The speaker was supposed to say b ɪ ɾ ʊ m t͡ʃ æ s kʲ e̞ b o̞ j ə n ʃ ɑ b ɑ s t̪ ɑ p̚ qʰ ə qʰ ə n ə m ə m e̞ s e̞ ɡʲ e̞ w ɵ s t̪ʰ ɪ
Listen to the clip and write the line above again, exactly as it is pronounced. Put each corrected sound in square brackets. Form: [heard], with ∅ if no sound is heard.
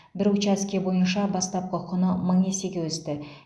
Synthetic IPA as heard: b ɪ ɾ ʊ [∅] t͡ʃ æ s kʲ e̞ b o̞ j ə n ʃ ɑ b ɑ s t̪ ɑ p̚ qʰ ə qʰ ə n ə m ə [ɴ] e̞ s e̞ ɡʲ e̞ w ɵ s [t̪] ɪ